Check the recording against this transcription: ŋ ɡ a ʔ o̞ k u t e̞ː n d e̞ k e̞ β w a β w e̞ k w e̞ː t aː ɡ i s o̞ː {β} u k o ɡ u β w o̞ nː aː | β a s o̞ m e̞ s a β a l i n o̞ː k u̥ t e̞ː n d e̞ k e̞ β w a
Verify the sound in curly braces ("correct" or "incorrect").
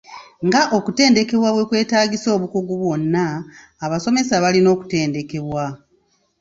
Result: correct